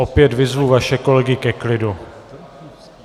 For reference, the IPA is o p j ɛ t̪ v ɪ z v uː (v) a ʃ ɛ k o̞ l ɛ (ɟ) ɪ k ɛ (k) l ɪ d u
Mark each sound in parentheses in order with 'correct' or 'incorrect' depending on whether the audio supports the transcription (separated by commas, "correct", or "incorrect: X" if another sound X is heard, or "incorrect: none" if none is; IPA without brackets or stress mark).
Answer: correct, incorrect: ɡ, correct